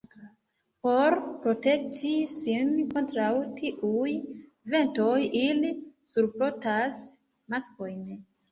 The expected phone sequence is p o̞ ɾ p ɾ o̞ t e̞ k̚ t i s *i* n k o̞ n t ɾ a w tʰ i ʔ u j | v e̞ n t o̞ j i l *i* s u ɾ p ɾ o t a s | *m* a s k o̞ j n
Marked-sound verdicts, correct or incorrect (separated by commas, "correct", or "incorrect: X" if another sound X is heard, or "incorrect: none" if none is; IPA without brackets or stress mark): correct, correct, correct